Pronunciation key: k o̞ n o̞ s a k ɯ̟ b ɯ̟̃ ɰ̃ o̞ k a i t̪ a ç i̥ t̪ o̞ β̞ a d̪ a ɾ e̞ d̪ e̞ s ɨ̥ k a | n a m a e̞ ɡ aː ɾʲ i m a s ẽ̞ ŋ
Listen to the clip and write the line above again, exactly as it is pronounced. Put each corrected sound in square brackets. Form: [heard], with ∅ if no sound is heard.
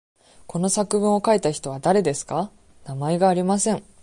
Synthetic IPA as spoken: k o̞ n o̞ s a k ɯ̟ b ɯ̟̃ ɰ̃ o̞ k a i t̪ a ç i̥ t̪ o̞ β̞ a d̪ a ɾ e̞ d̪ e̞ s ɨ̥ k a | n a m a e̞ ɡ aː ɾʲ i m a s ẽ̞ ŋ